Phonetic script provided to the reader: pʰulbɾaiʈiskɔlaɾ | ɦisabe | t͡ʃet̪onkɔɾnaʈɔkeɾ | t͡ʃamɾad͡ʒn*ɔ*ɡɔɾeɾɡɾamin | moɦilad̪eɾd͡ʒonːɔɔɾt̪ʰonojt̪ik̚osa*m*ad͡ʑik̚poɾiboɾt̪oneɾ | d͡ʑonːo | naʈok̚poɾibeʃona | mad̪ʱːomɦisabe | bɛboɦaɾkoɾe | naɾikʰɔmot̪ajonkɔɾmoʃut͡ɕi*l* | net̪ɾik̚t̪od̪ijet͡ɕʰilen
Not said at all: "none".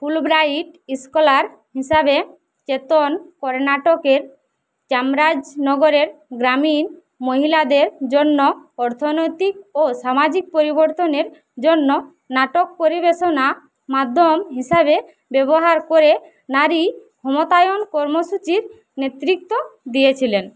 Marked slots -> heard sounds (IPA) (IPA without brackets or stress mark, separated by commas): ɔ, m, ɾ